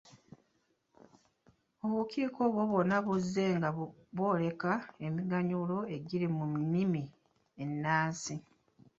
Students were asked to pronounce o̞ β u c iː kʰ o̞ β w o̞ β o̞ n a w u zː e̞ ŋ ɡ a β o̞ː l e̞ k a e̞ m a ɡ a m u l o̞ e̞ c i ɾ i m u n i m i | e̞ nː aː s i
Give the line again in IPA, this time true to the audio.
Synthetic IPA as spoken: o̞ β u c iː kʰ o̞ β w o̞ β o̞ n a β u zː e̞ ŋ ɡ a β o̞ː l e̞ k a e̞ m i ɡ a ɲ u l o̞ e̞ ɟ i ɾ i m u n i m i | e̞ nː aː s i